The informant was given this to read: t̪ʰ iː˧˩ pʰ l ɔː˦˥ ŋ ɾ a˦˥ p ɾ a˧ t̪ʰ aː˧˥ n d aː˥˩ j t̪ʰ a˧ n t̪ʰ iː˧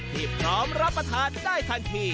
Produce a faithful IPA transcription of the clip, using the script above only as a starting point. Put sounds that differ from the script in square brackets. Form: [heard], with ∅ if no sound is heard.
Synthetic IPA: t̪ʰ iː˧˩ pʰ [ɾ] ɔː˦˥ [m] ɾ a˦˥ p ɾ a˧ t̪ʰ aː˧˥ n d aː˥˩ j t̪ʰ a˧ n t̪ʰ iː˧